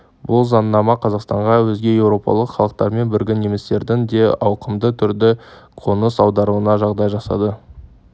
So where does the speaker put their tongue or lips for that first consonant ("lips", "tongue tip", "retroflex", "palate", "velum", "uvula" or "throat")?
lips